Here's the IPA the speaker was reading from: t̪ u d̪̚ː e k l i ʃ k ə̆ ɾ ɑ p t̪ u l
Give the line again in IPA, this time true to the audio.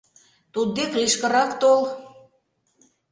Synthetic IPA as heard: t̪ u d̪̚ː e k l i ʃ k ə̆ ɾ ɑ k t̪ o l

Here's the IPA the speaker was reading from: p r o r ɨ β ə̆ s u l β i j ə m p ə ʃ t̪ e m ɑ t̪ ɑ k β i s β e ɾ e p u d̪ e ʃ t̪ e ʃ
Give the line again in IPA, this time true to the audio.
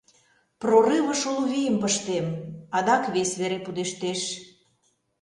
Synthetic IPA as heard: p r o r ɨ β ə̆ ʃ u l β i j ə m p ə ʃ t̪ e m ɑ d̪ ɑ k β e s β e ɾ e p u d̪ e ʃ t̪ e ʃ

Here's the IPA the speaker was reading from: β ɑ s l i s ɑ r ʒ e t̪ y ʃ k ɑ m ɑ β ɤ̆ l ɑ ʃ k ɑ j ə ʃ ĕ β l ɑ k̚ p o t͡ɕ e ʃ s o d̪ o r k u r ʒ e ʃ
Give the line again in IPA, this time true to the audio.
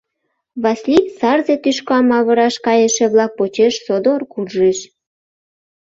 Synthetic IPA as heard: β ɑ s l i s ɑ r z e t̪ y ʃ k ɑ m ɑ β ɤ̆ ɾ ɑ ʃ k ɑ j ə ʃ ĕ β l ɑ k̚ p o t͡ɕ e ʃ s o d̪ o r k u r ʒ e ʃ

